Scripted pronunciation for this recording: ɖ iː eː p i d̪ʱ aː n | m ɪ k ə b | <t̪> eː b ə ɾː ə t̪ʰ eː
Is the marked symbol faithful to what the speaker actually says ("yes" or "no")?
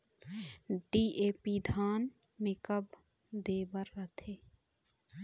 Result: no